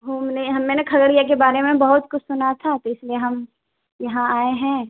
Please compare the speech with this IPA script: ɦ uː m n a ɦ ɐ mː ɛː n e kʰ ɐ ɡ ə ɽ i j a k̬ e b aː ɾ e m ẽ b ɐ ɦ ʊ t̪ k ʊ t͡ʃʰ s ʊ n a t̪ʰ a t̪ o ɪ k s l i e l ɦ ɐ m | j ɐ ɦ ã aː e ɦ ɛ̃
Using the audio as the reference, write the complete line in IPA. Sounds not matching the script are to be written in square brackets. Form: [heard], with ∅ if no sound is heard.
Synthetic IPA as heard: ɦ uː m n [e] ɦ ɐ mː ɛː n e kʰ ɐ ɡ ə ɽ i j a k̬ e b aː ɾ e m ẽ b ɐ ɦ ʊ t̪ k ʊ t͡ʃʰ s ʊ n a t̪ʰ a t̪ o ɪ [∅] s l i e [∅] ɦ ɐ m | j ɐ ɦ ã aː e ɦ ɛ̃